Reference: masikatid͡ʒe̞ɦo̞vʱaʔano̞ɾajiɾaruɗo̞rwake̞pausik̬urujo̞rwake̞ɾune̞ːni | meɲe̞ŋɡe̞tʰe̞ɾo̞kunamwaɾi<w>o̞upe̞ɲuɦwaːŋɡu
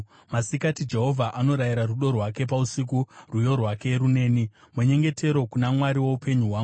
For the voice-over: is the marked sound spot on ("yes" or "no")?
yes